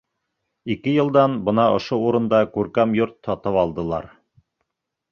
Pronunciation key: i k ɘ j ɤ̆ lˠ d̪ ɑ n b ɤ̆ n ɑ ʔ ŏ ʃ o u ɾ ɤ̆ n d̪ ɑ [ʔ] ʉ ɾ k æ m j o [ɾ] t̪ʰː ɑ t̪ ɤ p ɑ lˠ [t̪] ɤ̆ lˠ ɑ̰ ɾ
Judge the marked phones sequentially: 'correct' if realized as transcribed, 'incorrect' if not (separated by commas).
incorrect, correct, incorrect